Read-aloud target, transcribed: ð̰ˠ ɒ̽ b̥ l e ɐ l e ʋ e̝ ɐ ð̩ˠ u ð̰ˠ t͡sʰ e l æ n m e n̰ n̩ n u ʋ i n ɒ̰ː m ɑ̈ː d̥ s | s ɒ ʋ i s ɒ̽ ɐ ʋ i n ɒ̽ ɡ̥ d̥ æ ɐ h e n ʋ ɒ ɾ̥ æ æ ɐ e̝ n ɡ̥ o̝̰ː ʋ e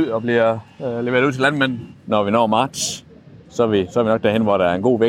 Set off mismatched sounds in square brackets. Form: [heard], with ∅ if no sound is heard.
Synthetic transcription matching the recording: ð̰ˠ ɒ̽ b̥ l [i] ɐ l e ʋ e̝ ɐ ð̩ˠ u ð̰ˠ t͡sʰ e l æ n m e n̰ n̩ n [ɒ] ʋ i n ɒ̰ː m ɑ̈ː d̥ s | s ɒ ʋ i s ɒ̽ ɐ ʋ i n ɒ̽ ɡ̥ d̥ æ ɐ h e n ʋ ɒ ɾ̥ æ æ ɐ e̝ n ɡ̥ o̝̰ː ʋ e